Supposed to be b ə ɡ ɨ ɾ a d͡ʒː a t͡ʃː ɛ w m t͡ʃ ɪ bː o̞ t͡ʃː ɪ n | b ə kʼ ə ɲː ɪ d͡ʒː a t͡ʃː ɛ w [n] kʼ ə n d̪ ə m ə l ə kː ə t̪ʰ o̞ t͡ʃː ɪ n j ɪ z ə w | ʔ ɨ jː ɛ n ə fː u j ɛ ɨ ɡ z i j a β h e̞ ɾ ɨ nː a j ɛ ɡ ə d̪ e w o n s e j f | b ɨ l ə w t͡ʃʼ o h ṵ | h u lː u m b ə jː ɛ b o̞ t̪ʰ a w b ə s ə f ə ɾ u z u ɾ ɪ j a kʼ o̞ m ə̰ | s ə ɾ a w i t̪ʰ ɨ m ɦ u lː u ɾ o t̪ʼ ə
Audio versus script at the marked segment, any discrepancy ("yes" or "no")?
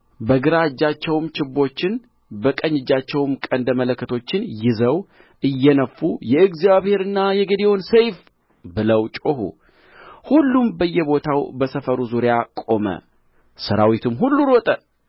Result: yes